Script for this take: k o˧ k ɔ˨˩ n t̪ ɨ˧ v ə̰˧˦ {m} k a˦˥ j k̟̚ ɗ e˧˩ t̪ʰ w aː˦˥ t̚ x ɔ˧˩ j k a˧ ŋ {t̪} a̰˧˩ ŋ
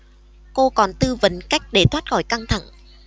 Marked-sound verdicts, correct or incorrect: incorrect: n, incorrect: t̪ʰ

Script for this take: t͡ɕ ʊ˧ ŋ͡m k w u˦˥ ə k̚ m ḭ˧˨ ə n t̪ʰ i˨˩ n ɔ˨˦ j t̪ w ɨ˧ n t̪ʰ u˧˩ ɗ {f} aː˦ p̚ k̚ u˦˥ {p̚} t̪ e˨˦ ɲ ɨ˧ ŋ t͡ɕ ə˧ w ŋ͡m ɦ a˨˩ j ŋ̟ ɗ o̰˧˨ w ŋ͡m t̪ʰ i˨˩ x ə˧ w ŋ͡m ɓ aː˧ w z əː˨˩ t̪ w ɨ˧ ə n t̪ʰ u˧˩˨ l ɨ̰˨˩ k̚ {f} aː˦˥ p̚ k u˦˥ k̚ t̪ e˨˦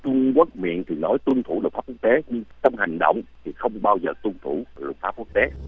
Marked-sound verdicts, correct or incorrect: correct, incorrect: k̚, correct

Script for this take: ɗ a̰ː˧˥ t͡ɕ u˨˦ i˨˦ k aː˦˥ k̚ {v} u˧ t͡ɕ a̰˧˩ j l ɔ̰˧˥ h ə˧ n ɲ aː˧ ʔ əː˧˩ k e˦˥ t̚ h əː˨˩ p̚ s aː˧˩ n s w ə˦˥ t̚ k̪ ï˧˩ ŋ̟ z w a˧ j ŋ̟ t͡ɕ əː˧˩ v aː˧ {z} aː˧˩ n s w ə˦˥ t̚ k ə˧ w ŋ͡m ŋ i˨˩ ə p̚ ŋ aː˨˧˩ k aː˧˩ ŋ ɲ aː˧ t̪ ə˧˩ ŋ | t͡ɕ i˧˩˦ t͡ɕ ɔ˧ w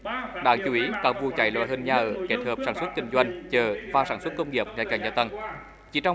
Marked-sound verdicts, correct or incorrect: correct, incorrect: s

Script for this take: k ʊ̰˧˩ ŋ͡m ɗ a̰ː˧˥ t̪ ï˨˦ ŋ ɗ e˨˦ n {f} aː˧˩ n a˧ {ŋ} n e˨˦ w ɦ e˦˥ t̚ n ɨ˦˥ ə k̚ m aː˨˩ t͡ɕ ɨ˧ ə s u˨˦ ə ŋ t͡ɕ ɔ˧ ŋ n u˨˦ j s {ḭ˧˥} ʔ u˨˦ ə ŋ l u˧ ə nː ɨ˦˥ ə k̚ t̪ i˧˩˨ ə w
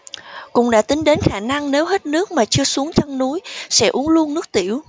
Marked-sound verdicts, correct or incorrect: incorrect: x, correct, incorrect: ɛ̰˧˥

